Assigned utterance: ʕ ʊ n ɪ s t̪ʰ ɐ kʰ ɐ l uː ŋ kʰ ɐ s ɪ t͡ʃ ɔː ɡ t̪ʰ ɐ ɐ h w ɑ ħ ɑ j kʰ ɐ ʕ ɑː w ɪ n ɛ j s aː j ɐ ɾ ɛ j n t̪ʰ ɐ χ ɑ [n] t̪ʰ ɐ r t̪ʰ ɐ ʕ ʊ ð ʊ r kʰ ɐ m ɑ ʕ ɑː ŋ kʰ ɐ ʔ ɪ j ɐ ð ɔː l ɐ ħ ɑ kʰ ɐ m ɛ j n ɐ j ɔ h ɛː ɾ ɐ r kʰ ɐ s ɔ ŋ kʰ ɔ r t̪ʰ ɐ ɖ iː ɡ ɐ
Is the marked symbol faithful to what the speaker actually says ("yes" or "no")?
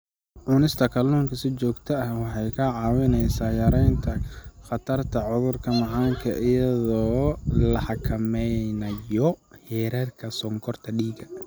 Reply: no